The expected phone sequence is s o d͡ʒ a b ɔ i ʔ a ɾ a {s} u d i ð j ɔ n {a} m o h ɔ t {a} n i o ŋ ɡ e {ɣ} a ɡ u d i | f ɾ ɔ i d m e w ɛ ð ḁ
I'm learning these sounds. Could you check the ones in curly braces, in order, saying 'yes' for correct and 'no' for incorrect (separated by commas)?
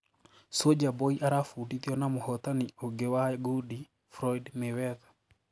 no, yes, yes, no